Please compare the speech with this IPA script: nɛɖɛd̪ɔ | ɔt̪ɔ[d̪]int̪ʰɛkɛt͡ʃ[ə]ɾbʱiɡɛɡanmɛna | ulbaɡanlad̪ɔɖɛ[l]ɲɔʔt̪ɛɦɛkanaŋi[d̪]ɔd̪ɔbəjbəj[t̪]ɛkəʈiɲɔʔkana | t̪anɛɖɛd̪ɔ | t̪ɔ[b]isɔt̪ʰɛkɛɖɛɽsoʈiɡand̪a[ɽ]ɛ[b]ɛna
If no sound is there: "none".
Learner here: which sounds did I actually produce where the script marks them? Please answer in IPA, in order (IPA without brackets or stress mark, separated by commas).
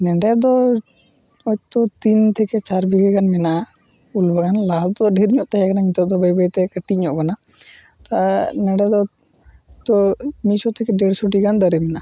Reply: t̪, a, ɾ, t̪, t̪, m, ɾ, m